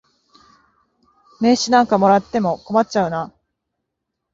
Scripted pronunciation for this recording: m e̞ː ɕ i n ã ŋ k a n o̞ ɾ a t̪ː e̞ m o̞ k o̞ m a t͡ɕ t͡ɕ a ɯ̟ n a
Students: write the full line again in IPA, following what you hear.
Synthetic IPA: m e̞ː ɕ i n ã ŋ k a m o̞ ɾ a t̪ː e̞ m o̞ k o̞ m a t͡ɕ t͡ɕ a ɯ̟ n a